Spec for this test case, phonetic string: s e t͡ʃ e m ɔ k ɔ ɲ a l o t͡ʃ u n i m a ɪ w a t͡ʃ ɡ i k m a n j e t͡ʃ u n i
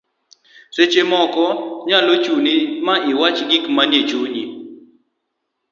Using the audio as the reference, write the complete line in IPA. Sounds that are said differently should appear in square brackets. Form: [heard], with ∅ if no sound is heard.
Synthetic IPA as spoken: s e t͡ʃ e m ɔ k ɔ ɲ a l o t͡ʃ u n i m a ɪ w a t͡ʃ ɡ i k m a n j e t͡ʃ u [ɲ] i

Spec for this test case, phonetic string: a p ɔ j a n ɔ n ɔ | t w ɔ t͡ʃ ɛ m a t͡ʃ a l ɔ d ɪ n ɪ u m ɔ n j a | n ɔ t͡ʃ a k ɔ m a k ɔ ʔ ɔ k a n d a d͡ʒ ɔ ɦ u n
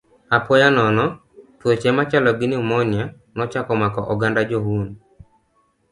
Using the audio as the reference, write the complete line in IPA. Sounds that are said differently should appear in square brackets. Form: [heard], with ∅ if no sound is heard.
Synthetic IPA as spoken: a p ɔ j a n ɔ n ɔ | t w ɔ t͡ʃ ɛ m a t͡ʃ a l ɔ [ɡ] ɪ n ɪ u m ɔ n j a | n ɔ t͡ʃ a k ɔ m a k ɔ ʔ ɔ [ɡ] a n d a d͡ʒ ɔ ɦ u n

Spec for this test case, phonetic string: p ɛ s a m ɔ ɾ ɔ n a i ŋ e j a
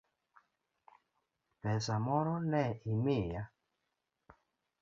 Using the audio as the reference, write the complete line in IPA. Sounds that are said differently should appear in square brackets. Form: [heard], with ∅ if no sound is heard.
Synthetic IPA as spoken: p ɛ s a m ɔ ɾ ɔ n [ɛ] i [m] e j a

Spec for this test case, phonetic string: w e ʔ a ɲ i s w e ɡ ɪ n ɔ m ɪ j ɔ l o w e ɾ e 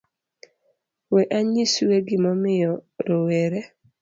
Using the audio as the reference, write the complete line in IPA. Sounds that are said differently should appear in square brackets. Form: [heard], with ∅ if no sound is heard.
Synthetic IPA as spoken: w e ʔ a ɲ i s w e ɡ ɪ [m] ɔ m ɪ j ɔ [ɾ] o w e ɾ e

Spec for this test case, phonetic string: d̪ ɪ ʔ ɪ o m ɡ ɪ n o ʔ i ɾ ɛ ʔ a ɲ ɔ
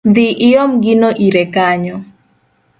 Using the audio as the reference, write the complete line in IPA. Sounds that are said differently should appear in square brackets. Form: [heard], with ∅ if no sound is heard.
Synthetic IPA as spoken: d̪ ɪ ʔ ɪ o m ɡ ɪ n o ʔ i ɾ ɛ [k] a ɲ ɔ

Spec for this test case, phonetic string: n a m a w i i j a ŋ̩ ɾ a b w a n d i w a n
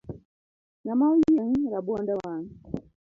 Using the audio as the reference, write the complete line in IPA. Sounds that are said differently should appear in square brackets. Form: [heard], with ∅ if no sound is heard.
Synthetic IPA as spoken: n a m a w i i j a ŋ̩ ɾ a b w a n d [a] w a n

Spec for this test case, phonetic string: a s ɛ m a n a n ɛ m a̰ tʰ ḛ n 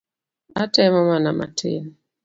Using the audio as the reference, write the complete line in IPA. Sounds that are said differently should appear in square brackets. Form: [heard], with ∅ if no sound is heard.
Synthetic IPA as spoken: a [t] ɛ m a [m] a n [a] m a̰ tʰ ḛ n

